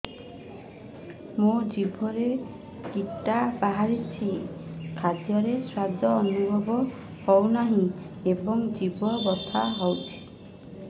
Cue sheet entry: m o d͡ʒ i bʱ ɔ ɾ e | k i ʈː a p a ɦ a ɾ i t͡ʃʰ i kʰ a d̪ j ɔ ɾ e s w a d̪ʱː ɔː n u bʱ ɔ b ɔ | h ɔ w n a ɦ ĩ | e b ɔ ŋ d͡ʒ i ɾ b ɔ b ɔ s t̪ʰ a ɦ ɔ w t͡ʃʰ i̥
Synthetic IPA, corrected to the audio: m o d͡ʒ i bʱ ɔ ɾ e | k i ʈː a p a ɦ a ɾ i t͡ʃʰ i kʰ a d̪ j ɔ ɾ e s w a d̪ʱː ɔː n u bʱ ɔ b ɔ | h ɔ w n a ɦ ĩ | e b ɔ ŋ d͡ʒ i b ɔ b ɔ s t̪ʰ a ɦ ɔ w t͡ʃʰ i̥